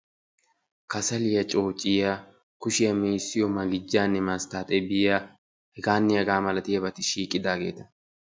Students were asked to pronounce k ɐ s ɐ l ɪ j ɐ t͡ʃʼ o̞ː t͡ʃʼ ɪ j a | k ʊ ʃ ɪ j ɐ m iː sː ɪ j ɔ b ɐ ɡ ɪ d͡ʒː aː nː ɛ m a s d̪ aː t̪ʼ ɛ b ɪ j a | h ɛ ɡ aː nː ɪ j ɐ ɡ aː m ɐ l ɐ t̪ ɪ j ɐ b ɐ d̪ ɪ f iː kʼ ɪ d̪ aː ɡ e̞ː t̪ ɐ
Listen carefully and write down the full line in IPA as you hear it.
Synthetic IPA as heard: k ɐ s ɐ l ɪ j ɐ t͡ʃʼ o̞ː t͡ʃʼ ɪ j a | k ʊ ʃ ɪ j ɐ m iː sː ɪ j ɔ m ɐ ɡ ɪ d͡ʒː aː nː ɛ m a s t̪ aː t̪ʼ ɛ b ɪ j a | h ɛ ɡ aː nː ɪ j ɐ ɡ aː m ɐ l ɐ t̪ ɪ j ɐ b ɐ t̪ ɪ ʃ iː kʼ ɪ d̪ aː ɡ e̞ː t̪ ɐ